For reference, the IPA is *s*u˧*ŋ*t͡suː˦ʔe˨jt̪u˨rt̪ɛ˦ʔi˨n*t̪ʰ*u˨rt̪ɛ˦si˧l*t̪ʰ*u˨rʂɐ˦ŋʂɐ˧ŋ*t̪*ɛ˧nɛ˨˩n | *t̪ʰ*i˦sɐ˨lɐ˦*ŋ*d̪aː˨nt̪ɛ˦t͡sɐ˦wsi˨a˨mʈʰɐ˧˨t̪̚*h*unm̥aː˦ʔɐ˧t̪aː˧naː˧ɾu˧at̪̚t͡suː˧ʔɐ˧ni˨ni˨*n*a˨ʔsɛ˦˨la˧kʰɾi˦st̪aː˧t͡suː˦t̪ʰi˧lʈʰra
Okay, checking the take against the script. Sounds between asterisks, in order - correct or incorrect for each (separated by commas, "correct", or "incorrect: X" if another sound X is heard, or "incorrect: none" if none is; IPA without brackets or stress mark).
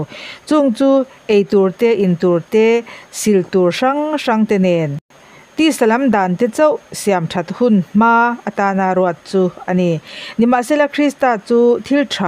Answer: incorrect: t͡s, correct, incorrect: t̪, incorrect: t̪, correct, incorrect: t̪, incorrect: m, correct, incorrect: m